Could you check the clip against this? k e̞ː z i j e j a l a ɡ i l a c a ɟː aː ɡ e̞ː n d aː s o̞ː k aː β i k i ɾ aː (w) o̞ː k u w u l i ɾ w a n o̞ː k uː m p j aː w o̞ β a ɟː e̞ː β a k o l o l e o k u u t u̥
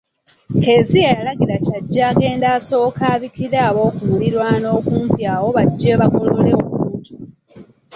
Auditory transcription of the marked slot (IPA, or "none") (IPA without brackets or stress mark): β